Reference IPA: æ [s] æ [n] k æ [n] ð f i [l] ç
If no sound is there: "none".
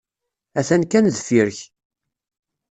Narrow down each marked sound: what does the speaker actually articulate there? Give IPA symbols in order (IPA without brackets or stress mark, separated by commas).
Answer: θ, n, n, ɾ